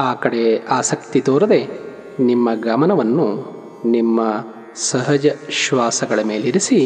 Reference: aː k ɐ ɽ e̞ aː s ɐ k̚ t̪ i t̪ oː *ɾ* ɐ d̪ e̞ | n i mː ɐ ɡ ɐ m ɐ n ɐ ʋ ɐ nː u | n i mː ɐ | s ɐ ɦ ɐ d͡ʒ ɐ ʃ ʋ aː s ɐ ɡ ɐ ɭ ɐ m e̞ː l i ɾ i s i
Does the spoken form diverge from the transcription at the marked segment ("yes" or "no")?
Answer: no